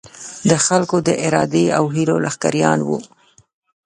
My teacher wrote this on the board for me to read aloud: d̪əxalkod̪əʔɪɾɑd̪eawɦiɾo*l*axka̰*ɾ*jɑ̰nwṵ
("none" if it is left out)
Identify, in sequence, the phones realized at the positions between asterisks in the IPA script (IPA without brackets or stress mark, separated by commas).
l, ɾ